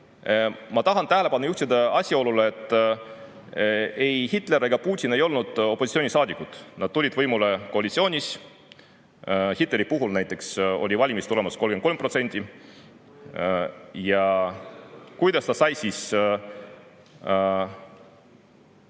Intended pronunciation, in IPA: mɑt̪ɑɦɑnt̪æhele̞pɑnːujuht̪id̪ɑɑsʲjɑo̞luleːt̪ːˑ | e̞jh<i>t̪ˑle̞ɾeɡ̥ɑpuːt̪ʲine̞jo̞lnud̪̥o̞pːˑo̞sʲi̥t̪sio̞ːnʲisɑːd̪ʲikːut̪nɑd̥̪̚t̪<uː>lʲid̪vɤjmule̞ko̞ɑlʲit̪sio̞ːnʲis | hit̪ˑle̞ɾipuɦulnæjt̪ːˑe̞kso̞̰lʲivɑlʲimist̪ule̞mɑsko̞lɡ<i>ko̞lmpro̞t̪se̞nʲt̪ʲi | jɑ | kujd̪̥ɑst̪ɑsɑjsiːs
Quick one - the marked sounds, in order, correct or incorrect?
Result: correct, incorrect, incorrect

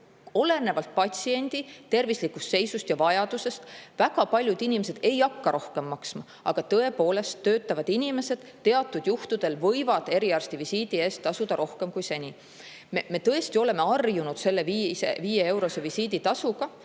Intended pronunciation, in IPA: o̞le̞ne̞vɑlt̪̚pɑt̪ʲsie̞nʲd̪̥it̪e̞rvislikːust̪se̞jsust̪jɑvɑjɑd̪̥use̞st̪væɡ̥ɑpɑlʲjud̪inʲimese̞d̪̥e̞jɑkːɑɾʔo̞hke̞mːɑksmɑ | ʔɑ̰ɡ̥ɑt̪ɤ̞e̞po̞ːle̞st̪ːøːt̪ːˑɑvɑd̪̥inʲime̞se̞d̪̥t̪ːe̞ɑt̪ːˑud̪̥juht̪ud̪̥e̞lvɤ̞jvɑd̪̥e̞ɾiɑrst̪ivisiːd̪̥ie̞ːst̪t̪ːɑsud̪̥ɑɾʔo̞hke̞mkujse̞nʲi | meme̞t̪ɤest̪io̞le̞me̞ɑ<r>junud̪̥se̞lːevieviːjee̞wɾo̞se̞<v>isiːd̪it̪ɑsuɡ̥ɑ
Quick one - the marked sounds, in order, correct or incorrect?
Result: correct, correct

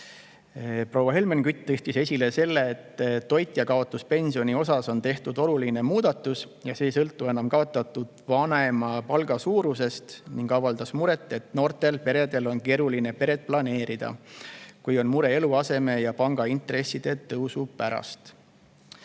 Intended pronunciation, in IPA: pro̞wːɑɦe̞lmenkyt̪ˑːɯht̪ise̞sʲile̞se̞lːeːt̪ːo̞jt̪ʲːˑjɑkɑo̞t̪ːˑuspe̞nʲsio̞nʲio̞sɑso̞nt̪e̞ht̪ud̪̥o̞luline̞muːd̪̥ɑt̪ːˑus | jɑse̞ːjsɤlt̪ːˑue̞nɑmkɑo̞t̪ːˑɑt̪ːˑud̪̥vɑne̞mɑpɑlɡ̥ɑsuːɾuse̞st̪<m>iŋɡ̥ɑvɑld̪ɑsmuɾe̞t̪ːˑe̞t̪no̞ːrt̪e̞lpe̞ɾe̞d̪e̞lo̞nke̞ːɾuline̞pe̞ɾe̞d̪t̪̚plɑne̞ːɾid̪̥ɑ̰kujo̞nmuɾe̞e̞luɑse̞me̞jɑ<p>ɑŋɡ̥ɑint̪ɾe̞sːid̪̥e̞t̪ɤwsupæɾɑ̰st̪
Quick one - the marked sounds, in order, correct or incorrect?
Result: incorrect, correct

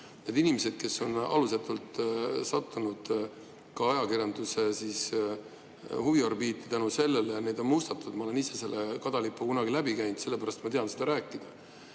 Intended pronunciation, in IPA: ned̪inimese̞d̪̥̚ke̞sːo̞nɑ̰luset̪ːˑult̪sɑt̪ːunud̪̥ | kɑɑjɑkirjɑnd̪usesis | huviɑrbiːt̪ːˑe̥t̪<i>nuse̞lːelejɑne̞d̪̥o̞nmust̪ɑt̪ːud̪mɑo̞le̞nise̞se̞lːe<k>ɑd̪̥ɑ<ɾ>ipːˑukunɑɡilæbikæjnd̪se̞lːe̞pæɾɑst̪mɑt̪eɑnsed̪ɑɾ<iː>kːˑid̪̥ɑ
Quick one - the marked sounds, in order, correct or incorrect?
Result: incorrect, correct, incorrect, incorrect

